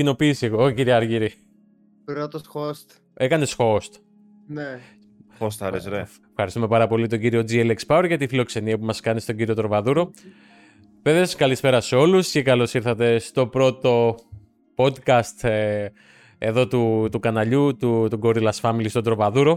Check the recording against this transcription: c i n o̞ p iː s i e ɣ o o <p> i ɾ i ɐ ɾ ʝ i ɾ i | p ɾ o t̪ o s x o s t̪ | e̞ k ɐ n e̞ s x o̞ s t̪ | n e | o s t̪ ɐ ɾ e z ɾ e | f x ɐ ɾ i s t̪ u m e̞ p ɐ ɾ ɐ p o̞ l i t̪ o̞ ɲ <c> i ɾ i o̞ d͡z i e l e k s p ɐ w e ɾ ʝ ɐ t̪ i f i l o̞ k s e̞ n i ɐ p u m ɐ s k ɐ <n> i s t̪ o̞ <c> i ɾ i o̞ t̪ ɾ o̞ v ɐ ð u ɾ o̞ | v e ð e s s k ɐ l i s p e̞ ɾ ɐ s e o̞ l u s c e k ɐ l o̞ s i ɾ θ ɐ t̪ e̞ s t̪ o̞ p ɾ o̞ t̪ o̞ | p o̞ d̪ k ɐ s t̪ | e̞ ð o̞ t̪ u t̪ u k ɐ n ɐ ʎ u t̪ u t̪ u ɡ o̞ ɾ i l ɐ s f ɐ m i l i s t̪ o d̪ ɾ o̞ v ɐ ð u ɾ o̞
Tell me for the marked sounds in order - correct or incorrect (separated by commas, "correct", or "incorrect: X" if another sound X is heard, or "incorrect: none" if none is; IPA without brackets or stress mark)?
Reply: incorrect: c, incorrect: ɟ, correct, incorrect: ɟ